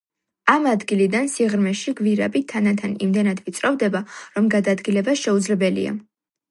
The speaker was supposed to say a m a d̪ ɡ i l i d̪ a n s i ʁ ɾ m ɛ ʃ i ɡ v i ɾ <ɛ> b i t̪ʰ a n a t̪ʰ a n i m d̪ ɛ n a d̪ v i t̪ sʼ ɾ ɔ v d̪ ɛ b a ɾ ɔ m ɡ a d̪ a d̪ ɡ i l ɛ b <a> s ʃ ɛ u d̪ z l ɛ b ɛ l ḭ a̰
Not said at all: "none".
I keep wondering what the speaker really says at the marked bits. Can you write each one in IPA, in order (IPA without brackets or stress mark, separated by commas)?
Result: a, a